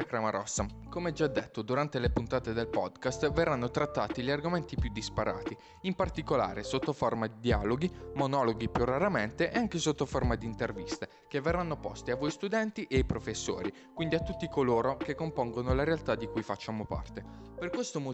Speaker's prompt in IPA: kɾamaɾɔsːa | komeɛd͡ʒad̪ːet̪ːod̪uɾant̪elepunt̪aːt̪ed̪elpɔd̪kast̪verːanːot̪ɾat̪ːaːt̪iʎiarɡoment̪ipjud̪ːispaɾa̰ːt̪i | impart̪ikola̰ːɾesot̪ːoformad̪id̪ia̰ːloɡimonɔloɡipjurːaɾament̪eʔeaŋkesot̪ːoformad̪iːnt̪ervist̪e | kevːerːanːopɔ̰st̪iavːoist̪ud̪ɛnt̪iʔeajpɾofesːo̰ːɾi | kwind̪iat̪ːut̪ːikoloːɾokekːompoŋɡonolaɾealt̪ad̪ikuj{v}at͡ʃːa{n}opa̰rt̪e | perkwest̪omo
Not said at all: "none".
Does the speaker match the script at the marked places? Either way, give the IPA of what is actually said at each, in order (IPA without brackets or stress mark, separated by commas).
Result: f, m